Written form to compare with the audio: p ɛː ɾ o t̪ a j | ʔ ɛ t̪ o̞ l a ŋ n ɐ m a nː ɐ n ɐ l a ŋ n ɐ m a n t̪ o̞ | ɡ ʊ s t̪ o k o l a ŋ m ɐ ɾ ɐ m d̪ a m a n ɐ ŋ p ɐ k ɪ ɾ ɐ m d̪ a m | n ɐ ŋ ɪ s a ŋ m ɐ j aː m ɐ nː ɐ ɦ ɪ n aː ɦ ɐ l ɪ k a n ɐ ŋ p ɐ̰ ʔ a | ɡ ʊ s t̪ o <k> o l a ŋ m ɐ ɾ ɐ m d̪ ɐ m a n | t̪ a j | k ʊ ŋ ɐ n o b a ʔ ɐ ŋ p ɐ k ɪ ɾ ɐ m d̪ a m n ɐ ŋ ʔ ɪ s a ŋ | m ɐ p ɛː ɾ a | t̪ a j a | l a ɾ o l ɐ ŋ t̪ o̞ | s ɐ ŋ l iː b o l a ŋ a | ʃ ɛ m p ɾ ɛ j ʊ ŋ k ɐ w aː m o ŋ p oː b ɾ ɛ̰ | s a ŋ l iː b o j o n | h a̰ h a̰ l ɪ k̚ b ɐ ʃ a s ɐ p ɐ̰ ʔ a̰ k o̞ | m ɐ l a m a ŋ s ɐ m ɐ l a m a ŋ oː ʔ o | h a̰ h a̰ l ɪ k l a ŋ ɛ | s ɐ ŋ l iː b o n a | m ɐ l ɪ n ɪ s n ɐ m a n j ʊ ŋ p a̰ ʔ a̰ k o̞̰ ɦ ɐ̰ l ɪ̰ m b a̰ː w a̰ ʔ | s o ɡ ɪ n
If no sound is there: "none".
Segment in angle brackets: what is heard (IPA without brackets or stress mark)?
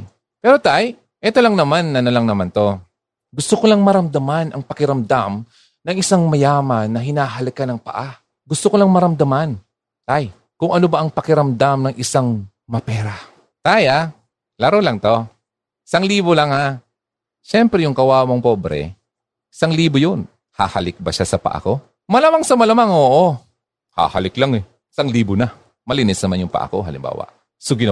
k